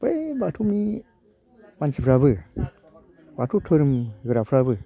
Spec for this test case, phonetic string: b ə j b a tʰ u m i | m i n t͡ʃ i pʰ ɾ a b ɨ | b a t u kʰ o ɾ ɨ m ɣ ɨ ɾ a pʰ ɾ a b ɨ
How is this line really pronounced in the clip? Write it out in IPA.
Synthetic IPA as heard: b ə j b a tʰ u m i | m a n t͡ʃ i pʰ ɾ a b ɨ | b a t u tʰ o ɾ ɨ m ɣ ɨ ɾ a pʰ ɾ a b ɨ